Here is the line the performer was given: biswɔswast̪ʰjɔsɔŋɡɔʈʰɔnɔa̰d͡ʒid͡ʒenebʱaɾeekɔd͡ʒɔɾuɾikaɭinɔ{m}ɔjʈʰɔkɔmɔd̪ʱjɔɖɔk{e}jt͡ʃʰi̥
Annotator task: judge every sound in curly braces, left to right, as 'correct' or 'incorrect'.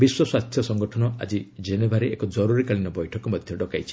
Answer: incorrect: b, incorrect: a

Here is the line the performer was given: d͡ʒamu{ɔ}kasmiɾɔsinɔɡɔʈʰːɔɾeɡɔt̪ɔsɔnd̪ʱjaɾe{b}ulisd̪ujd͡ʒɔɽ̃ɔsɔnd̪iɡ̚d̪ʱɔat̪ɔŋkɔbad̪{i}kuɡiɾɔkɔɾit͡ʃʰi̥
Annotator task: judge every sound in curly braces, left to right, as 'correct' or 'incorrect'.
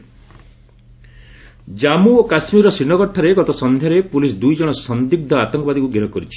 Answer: incorrect: o, incorrect: p, correct

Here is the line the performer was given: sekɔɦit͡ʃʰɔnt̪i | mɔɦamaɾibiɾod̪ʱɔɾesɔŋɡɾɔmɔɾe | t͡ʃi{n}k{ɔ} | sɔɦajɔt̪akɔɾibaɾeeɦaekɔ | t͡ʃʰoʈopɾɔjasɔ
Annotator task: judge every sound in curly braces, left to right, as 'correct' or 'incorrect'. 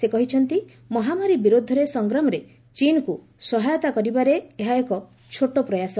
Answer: correct, incorrect: u

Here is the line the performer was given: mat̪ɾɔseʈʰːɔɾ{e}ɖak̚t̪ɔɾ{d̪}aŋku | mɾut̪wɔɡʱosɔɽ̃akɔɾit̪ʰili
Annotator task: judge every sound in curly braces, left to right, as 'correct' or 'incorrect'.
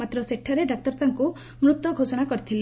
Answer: correct, incorrect: t̪

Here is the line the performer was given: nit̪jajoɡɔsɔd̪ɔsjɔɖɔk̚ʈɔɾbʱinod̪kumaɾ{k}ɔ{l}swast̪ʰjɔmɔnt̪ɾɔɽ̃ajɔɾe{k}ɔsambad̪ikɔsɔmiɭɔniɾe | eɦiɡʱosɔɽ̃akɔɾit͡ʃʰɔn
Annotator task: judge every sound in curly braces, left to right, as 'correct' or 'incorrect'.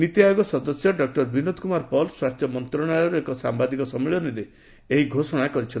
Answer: incorrect: p, correct, correct

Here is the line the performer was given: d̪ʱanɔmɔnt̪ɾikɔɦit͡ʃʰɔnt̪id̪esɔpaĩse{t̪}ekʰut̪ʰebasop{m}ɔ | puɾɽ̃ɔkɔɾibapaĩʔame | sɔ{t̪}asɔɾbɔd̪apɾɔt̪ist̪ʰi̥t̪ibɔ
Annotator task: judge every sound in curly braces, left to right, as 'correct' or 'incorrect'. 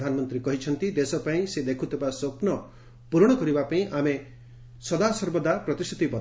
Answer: incorrect: d̪, incorrect: n, incorrect: d̪

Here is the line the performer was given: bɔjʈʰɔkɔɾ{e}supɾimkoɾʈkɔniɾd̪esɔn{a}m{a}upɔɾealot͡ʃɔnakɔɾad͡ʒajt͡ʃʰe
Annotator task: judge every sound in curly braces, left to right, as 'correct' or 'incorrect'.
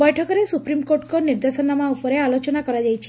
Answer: correct, correct, correct

